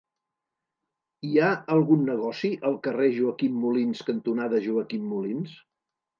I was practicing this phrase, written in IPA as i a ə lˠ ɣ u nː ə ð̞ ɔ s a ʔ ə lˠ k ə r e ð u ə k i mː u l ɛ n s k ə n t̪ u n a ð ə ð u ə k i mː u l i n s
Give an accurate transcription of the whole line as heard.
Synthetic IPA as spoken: i a ə lˠ ɣ u nː ə ɣ̞ ɔ s i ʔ ə lˠ k ə r e ʒ u ə k i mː u l i n s k ə n t̪ u n a ð ə ʒ u ə k i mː u l i n s